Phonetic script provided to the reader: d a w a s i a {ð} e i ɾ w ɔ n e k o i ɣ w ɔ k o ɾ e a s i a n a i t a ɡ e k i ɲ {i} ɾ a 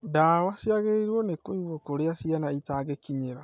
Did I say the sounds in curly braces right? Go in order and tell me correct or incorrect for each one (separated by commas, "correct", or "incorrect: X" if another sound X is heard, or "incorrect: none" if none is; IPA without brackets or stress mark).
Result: incorrect: ɣ, incorrect: e